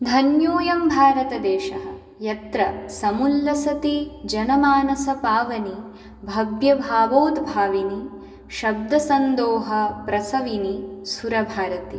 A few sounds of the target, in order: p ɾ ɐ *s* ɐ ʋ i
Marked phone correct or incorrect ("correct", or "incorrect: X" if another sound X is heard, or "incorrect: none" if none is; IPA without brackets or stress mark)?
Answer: correct